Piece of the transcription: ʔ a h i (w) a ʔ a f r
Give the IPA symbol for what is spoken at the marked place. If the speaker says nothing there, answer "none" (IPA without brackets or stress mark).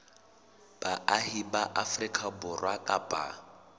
b